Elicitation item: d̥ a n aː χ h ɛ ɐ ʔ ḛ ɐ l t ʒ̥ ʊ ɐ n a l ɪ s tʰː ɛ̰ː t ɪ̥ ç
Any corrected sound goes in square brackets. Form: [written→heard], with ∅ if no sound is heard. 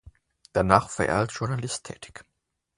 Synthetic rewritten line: d̥ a n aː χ [h→f] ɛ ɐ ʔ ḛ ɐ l t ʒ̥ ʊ ɐ n a l ɪ s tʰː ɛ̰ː t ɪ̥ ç